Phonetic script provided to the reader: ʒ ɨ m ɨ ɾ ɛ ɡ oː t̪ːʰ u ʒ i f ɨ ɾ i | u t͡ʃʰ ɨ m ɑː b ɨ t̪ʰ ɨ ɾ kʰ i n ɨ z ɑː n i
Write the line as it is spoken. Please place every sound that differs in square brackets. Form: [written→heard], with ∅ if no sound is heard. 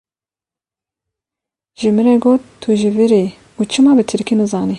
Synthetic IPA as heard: ʒ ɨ m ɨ ɾ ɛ ɡ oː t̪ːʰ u ʒ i [f→v] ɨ ɾ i | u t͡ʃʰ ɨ m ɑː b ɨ t̪ʰ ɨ ɾ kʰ i n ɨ z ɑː n i